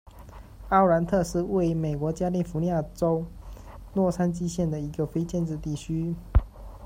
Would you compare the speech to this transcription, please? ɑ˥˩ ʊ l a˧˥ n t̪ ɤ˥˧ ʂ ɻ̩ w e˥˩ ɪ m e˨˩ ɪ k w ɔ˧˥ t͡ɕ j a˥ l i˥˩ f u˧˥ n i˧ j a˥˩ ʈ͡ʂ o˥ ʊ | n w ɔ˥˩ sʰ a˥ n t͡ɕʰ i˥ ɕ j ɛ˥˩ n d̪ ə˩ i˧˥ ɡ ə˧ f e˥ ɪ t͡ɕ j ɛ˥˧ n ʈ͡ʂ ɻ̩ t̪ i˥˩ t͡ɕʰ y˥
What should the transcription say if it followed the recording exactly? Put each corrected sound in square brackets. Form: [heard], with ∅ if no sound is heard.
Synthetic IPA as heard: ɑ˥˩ ʊ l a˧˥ n [t̪ʰ] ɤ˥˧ ʂ ɻ̩ w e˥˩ ɪ m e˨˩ ɪ k w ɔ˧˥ t͡ɕ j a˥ l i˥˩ f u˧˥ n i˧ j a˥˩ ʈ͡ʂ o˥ ʊ | n w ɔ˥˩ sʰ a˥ n [t͡ɕ] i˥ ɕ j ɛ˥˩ n d̪ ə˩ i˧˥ ɡ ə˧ f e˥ ɪ t͡ɕ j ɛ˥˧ n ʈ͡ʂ ɻ̩ t̪ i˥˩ t͡ɕʰ y˥